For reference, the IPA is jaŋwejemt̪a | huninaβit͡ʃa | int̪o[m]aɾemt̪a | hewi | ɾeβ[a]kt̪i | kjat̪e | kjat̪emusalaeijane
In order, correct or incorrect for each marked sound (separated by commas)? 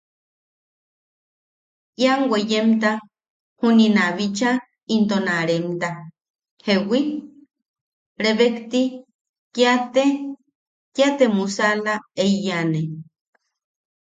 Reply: incorrect, incorrect